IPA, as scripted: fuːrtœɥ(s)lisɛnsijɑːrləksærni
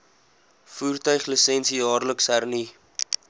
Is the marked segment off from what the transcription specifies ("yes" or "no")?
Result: yes